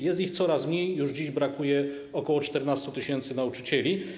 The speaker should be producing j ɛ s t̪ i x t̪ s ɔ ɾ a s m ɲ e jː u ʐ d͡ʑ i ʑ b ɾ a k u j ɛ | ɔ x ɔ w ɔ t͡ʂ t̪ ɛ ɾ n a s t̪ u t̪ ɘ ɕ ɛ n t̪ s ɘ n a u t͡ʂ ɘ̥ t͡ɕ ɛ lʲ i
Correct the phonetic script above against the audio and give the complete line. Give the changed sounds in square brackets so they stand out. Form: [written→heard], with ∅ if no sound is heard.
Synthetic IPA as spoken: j ɛ s t̪ i x t̪ s ɔ ɾ a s m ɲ e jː u ʐ d͡ʑ i ʑ b ɾ a k u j ɛ | ɔ [x→k] ɔ w ɔ t͡ʂ t̪ ɛ ɾ n a s t̪ u t̪ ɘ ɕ ɛ n t̪ s ɘ n a u t͡ʂ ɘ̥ t͡ɕ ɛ lʲ i